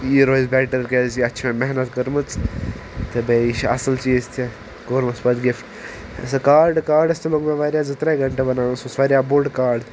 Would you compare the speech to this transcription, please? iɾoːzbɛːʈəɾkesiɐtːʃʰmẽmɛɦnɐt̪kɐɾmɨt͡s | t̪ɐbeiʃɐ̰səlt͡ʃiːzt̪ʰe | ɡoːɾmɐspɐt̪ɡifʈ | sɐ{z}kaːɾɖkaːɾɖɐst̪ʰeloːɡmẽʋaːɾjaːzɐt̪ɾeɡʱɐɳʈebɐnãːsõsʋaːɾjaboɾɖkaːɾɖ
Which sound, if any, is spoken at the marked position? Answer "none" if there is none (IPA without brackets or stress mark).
none